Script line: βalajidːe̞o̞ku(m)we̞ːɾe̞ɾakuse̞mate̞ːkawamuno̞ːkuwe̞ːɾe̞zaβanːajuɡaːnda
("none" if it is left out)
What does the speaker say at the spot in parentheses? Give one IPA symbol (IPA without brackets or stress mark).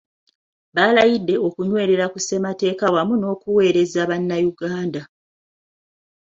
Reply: ɲ